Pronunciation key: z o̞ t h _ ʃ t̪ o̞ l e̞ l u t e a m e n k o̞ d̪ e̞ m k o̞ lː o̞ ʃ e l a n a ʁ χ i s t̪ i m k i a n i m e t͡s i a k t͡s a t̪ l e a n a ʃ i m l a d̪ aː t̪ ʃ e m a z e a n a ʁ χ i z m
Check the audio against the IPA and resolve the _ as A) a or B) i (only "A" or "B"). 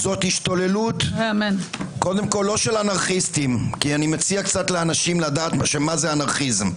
B